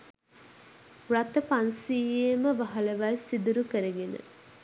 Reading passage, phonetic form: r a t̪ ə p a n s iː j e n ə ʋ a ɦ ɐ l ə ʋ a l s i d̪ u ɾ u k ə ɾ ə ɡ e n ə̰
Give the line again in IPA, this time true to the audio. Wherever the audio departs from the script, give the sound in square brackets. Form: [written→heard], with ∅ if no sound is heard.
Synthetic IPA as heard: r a t̪ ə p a n s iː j e [n→m] ə ʋ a ɦ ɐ l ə ʋ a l s i d̪ u ɾ u k ə ɾ ə ɡ e n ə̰